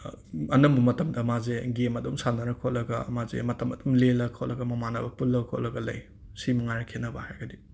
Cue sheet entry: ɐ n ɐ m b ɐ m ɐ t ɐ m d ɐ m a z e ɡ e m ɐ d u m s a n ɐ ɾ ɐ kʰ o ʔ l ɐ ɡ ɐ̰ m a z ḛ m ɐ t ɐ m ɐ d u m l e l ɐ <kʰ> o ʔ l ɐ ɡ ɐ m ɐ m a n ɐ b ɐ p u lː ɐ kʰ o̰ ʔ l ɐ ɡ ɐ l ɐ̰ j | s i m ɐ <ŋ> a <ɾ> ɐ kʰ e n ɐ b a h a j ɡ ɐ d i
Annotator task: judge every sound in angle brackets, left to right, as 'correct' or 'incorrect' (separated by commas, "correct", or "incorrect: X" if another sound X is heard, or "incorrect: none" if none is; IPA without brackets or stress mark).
correct, correct, correct